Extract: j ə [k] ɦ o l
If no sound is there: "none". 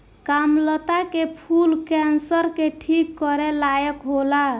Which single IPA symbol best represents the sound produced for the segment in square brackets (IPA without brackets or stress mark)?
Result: k